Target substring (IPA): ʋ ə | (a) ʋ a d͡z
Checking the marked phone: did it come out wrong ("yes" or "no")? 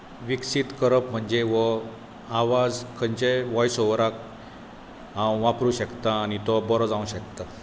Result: no